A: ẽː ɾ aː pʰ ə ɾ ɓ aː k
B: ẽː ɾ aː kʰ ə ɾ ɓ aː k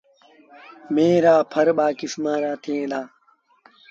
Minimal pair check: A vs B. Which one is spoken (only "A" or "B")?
A